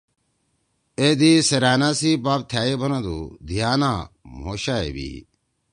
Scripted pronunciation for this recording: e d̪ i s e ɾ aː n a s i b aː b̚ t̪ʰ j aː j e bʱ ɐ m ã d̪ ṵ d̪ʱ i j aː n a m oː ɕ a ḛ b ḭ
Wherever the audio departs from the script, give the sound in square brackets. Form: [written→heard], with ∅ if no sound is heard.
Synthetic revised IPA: e d̪ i s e ɾ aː n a s i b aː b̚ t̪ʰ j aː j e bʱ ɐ [m→n] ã d̪ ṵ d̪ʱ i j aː n a m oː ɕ a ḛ b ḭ